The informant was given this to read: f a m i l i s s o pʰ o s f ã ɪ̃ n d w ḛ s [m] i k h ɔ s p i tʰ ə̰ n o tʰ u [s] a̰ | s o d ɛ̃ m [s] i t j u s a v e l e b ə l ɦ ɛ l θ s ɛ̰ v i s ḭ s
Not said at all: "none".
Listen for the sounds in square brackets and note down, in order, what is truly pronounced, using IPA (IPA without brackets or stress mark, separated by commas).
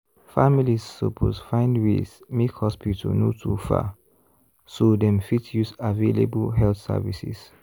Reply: m, f, f